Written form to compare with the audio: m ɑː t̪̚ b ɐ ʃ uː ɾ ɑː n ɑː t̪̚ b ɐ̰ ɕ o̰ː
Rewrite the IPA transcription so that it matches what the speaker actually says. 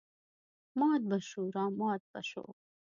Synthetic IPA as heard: m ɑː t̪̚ b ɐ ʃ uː ɾ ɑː m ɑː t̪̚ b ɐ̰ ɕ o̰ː